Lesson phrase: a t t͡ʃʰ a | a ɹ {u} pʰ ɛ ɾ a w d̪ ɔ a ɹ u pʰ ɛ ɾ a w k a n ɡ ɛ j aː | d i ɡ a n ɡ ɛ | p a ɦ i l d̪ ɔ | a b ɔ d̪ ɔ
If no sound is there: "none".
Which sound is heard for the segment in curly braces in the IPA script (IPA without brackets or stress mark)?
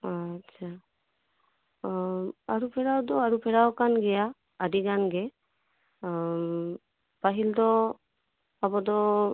u